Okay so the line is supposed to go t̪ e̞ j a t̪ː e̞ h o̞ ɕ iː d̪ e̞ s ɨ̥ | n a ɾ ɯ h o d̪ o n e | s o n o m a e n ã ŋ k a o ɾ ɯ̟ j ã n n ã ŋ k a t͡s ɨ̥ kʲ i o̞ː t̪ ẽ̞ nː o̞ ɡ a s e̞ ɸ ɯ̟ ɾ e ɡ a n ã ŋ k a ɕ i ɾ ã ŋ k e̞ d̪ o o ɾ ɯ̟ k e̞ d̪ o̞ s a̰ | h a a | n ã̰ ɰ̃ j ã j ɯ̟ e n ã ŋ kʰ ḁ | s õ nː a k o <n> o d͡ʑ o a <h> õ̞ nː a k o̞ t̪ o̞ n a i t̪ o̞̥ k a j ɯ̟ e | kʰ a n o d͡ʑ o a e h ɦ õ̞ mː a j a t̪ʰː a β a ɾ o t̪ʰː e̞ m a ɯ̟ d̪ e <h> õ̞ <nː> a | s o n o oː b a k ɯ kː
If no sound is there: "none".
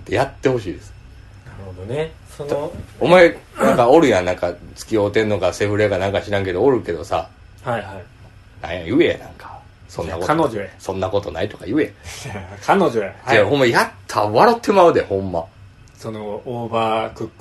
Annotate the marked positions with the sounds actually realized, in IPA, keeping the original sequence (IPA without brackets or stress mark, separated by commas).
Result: n, s, h, mː